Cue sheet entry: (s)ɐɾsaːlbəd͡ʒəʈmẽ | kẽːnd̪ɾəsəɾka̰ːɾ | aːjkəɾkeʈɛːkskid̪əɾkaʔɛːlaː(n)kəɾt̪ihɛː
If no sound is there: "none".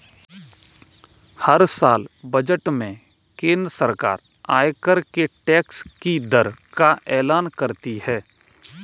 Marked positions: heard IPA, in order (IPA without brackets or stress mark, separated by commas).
h, n